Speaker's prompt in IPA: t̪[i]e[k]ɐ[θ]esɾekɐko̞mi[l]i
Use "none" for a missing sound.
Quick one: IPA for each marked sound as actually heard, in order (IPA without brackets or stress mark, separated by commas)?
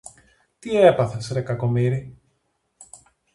i, p, θ, ɾ